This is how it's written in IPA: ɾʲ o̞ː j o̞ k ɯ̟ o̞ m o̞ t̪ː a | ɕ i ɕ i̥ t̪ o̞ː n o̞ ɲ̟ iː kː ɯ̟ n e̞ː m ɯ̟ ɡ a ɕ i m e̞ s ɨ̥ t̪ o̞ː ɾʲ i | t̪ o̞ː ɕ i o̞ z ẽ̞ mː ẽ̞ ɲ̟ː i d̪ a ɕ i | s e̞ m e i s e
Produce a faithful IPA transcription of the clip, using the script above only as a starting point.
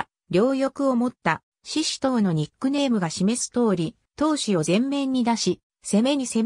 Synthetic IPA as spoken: ɾʲ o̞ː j o̞ k ɯ̟ o̞ m o̞ t̪ː a | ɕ i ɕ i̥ t̪ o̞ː n o̞ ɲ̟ i kː ɯ̟ n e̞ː m ɯ̟ ɡ a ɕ i m e̞ s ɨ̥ t̪ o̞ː ɾʲ i | t̪ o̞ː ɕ i o̞ z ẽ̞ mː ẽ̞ ɲ̟ː i d̪ a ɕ i | s e̞ m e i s e